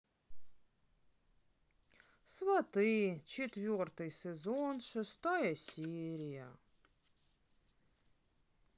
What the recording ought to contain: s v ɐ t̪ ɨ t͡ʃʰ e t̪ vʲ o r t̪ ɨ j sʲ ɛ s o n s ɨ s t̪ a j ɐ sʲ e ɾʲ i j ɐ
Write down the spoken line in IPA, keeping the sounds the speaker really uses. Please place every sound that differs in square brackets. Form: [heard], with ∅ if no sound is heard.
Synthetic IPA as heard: s v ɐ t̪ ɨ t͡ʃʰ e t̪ vʲ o r t̪ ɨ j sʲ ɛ [z] o n [ʂ] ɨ s t̪ a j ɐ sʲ e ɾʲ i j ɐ